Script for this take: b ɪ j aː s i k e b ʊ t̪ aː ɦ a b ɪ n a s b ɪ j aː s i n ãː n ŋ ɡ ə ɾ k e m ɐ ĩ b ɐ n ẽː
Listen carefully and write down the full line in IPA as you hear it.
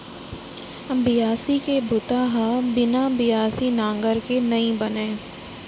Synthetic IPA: b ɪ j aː s i k e b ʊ t̪ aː ɦ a b ɪ n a b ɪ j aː s i n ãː ŋ ɡ ə ɾ k e n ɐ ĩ b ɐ n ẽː